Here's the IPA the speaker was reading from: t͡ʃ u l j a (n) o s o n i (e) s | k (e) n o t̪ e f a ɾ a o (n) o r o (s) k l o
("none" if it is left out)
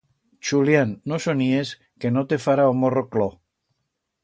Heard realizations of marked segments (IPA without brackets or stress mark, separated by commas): nː, e, e, m, none